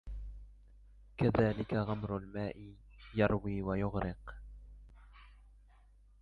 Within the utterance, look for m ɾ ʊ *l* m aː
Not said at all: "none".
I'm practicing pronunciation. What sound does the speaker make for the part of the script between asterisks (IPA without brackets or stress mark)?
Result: l